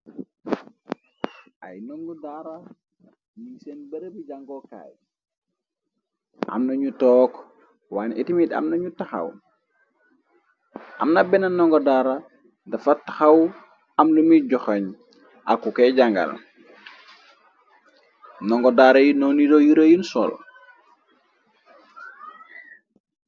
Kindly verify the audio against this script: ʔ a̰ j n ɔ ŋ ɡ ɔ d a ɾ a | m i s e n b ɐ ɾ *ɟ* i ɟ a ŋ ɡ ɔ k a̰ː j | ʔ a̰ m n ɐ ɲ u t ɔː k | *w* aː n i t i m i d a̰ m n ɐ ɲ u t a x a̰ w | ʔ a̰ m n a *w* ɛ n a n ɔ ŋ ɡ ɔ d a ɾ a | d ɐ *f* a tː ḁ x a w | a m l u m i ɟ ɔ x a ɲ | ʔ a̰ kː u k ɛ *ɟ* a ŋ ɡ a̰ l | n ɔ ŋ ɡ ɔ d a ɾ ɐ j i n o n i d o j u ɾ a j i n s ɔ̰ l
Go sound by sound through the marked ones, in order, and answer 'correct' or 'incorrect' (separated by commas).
incorrect, correct, incorrect, correct, correct